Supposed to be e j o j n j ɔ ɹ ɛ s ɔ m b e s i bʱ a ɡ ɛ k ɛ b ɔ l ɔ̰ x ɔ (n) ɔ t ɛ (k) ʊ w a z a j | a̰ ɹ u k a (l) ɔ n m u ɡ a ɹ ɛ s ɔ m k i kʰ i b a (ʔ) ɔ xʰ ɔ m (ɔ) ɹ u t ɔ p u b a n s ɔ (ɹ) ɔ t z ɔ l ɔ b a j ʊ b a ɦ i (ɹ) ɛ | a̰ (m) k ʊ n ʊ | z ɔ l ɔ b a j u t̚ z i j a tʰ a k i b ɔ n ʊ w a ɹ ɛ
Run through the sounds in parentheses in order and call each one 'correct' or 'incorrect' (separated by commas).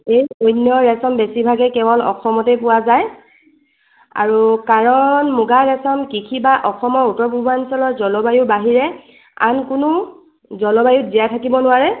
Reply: incorrect, incorrect, incorrect, correct, correct, incorrect, correct, incorrect